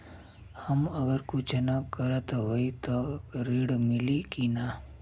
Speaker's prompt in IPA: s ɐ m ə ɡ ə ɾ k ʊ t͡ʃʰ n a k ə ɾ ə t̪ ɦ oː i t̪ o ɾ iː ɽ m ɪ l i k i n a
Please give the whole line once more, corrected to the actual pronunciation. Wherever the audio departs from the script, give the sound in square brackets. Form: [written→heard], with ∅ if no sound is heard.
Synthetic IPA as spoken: [s→h] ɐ m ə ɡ ə ɾ k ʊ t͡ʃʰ n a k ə ɾ ə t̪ ɦ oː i t̪ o ɾ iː ɽ m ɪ l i k i n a